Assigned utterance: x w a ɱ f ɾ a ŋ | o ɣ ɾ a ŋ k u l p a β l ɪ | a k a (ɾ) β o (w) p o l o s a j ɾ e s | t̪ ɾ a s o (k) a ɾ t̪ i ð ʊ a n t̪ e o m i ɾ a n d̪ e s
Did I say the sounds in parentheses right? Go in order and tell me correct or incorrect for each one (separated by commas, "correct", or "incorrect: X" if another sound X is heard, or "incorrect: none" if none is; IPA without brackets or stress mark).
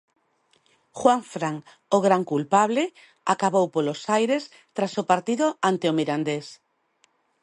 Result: incorrect: none, correct, incorrect: p